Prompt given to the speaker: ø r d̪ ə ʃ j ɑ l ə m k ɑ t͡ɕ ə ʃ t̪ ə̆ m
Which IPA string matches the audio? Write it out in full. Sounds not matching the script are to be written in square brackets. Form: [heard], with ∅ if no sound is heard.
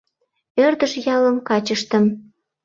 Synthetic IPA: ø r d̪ ə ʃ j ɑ l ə m k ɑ t͡ɕ ə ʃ t̪ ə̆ m